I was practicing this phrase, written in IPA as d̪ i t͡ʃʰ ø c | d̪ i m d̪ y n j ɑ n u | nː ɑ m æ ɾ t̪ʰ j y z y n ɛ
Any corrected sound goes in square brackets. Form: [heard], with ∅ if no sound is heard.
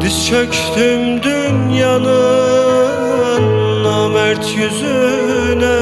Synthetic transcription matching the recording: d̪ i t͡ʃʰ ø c | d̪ [y] m d̪ y n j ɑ n [ɯ] | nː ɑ m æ ɾ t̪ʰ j y z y n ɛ